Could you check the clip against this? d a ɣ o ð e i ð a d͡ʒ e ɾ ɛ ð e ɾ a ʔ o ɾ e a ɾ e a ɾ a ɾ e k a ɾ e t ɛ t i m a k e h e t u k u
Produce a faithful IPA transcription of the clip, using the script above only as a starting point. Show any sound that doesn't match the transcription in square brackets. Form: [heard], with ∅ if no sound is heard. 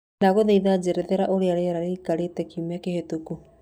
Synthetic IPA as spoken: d a ɣ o ð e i ð a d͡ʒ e ɾ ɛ ð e ɾ a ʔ o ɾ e a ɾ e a ɾ a ɾ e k a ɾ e t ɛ [k] i m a k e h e t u k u